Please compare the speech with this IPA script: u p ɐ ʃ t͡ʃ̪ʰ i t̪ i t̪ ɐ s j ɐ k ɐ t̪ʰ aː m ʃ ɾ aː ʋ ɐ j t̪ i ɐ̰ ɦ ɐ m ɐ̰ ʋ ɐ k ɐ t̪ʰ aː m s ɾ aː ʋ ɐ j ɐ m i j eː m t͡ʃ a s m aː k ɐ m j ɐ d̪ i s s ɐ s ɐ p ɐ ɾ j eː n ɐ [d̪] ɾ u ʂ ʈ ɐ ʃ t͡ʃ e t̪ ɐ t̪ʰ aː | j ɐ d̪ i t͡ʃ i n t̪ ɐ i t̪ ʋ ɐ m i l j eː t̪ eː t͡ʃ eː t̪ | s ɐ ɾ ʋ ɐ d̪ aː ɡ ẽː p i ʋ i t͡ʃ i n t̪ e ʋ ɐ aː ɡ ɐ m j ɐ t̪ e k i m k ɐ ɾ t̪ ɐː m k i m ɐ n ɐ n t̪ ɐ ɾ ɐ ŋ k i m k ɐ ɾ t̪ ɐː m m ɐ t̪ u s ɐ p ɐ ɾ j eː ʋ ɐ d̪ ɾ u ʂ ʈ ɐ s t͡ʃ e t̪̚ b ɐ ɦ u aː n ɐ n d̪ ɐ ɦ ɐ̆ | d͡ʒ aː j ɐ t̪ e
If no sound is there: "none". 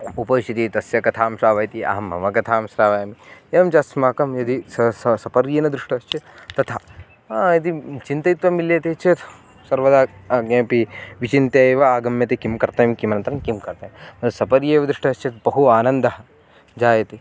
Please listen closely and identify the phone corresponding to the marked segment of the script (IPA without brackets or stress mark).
d̪